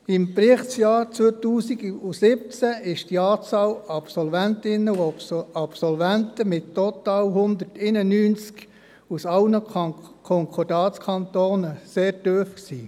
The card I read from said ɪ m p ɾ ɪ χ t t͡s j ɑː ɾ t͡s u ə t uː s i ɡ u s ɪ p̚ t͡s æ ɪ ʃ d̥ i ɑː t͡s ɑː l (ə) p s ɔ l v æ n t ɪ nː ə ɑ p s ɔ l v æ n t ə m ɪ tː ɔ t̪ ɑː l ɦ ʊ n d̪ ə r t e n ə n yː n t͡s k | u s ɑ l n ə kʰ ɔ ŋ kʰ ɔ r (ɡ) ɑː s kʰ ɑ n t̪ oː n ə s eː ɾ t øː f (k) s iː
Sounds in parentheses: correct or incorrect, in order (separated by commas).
incorrect, incorrect, correct